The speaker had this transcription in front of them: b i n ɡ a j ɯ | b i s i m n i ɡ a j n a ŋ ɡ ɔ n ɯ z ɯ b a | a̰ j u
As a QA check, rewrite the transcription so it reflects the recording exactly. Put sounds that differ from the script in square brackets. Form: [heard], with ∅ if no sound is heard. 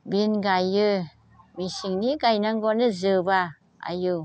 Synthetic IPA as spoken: b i n ɡ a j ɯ | [m] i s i [ŋ] n i ɡ a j n a ŋ ɡ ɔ n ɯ z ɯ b a | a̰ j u